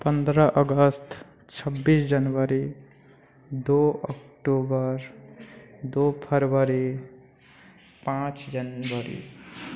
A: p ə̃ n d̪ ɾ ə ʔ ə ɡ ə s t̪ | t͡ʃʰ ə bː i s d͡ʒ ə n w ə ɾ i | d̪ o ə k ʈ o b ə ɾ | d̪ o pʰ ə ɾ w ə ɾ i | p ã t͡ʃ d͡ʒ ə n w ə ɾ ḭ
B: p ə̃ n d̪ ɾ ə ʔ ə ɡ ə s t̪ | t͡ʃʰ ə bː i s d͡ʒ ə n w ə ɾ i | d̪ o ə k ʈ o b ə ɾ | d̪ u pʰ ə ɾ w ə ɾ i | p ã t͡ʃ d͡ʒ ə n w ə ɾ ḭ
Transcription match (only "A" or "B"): A